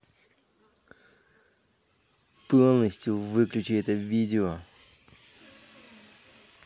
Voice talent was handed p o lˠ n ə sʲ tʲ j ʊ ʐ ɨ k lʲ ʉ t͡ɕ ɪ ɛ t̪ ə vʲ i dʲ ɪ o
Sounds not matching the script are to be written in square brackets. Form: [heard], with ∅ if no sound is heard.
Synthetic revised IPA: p o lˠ n ə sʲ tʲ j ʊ [v] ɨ k lʲ ʉ t͡ɕ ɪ ɛ t̪ ə vʲ i dʲ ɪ o